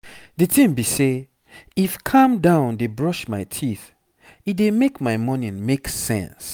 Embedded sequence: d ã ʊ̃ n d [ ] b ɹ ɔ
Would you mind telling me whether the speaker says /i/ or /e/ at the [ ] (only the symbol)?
e